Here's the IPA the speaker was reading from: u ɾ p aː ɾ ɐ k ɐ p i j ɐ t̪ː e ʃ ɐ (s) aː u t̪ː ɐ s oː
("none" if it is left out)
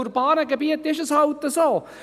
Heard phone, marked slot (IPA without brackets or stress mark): s